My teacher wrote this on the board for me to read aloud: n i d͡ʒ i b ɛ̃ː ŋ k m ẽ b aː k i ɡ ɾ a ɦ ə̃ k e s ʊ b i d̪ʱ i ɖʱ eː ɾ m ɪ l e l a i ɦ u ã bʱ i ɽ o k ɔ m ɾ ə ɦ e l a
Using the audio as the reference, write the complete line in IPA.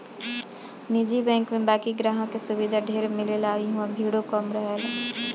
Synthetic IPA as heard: n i d͡ʒ i b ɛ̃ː ŋ k m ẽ b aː k i ɡ ɾ a ɦ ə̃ k e s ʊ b i d̪ʱ a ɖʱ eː ɾ m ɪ l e l a i ɦ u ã bʱ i ɽ o k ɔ m ɾ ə ɦ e l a